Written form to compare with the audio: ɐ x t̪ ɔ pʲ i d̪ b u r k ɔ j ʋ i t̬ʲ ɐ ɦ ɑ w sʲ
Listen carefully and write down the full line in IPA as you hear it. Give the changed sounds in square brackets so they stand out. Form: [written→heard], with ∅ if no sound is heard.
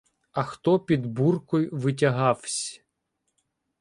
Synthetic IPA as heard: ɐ x t̪ ɔ pʲ i d̪ b u r k ɔ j ʋ [i→ɪ] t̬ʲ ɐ ɦ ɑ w sʲ